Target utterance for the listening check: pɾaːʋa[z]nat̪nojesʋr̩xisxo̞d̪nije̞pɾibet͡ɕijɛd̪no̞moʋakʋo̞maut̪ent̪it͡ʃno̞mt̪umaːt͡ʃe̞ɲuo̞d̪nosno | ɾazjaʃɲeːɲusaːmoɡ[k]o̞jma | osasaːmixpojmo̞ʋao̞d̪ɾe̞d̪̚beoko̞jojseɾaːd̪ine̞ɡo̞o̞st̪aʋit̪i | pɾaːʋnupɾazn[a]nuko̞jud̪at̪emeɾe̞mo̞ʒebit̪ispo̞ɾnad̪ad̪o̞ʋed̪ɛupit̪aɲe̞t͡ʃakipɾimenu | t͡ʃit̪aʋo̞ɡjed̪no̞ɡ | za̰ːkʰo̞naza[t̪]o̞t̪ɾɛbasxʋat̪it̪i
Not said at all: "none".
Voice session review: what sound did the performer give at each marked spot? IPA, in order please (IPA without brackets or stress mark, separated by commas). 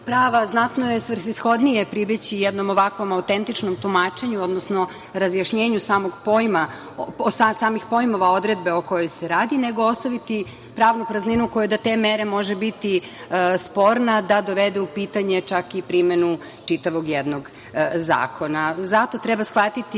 z, p, i, t̪